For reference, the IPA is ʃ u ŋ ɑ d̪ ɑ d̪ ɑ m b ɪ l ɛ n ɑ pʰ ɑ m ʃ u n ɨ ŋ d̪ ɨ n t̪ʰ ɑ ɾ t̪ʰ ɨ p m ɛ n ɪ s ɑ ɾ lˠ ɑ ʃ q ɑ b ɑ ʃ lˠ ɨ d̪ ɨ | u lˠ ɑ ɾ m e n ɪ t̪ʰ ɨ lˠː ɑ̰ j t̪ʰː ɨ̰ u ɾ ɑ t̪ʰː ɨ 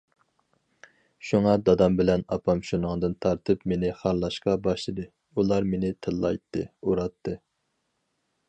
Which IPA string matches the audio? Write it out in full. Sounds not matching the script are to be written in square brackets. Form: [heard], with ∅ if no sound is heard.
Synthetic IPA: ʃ u ŋ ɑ d̪ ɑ d̪ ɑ m b ɪ l ɛ n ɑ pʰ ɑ m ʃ u n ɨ ŋ d̪ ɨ n t̪ʰ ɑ ɾ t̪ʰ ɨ p m [e] n ɪ [χ] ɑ ɾ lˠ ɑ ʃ q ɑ b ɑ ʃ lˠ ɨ d̪ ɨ | u lˠ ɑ ɾ m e n ɪ t̪ʰ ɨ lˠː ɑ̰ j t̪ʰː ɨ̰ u ɾ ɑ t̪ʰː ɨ